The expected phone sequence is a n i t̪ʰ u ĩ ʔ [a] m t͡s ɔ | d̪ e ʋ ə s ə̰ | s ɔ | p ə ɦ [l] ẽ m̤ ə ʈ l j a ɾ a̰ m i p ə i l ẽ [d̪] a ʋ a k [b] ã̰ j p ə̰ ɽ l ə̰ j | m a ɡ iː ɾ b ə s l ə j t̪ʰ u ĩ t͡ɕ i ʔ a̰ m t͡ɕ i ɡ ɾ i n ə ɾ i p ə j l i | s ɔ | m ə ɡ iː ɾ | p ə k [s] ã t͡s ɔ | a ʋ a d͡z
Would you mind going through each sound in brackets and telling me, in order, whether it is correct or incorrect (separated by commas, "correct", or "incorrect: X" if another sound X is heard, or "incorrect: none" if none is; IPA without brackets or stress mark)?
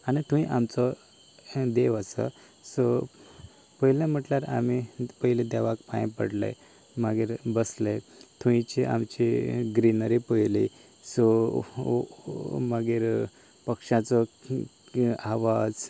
correct, correct, correct, incorrect: p, incorrect: ʂ